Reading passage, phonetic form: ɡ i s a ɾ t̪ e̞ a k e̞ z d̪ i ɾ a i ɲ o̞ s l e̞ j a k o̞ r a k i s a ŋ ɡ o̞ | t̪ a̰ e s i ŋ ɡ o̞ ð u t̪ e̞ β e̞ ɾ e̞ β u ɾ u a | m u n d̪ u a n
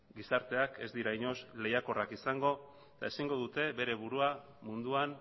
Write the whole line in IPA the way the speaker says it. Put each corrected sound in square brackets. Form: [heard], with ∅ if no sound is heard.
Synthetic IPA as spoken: ɡ i s a ɾ t̪ e̞ a k e̞ z d̪ i ɾ a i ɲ o̞ s l e̞ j a k o̞ r a k i s a ŋ ɡ o̞ | t̪ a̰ e s i ŋ ɡ o̞ ð u t̪ e̞ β e̞ ɾ e̞ β u ɾ u a | m u n d̪ u a n